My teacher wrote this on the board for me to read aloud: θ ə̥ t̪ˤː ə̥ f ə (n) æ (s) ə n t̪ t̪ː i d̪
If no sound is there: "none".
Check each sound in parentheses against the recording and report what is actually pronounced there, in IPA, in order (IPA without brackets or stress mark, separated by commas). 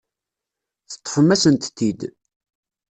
m, s